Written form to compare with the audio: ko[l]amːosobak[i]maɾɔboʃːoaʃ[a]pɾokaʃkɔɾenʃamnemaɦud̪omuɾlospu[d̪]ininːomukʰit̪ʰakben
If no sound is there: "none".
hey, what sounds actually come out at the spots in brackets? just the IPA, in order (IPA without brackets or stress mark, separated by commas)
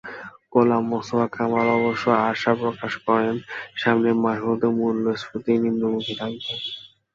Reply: l, a, a, t̪